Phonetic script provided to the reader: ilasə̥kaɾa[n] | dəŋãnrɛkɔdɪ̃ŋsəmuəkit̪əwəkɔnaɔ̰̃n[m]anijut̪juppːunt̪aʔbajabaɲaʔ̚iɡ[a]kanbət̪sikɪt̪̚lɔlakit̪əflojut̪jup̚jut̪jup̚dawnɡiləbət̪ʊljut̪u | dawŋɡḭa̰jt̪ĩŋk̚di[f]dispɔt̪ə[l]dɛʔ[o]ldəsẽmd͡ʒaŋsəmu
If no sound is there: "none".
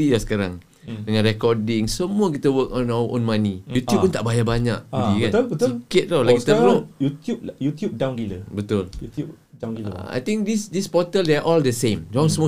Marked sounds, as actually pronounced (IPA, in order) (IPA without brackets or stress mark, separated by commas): ŋ, m, i, s, l, ɔ